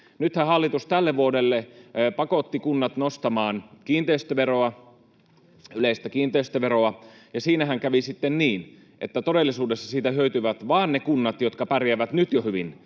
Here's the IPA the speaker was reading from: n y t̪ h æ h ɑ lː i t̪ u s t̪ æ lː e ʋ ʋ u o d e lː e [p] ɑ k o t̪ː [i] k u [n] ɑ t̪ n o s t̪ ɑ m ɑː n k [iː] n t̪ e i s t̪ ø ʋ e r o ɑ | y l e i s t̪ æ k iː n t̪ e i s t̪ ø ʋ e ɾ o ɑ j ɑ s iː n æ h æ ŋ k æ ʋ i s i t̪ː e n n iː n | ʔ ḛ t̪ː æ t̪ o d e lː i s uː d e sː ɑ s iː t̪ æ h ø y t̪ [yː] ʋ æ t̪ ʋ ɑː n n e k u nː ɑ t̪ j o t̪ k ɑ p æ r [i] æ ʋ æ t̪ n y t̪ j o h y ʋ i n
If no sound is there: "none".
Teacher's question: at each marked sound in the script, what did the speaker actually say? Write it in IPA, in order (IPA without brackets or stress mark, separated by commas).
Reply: p, i, nː, iː, y, j